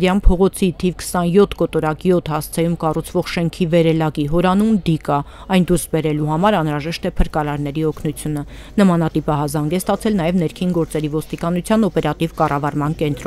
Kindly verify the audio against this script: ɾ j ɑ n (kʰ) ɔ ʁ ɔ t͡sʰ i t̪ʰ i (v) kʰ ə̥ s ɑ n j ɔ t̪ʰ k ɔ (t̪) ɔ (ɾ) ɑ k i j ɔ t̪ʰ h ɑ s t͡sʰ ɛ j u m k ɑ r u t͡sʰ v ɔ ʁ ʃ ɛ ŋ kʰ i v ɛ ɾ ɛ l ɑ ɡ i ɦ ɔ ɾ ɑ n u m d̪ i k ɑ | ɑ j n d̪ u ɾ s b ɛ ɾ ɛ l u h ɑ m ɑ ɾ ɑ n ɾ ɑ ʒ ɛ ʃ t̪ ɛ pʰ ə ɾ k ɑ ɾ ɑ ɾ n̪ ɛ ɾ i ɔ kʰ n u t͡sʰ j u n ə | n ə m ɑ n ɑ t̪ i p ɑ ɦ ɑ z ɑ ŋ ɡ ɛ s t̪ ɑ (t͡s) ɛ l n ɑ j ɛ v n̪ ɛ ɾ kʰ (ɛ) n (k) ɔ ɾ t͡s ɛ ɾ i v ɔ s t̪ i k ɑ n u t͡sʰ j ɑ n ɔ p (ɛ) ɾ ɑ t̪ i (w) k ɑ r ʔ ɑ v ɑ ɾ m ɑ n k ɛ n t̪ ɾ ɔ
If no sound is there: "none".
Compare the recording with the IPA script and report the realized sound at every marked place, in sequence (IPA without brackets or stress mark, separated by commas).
pʰ, v, t̪, ɾ, t͡sʰ, i, ɡ, ɛ, v